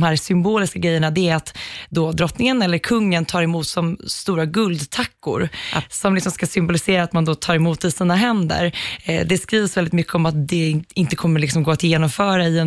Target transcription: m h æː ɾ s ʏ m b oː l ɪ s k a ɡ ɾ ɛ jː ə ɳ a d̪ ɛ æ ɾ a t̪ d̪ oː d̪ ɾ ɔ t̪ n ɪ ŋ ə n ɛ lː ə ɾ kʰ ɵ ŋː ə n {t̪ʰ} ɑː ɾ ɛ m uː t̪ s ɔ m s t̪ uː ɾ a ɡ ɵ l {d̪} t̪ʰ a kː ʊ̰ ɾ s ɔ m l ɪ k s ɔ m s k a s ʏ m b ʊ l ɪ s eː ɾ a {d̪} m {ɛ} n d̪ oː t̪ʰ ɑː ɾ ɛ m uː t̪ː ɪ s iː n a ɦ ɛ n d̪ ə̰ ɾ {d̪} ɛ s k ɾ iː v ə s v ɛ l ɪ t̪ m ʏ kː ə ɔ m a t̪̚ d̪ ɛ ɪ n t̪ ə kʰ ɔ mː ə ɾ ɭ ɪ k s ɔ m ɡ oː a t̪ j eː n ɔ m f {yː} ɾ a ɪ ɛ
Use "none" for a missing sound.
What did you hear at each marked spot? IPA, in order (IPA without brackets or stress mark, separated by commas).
t̪ʰ, d̪, t̪, a, d̪, œː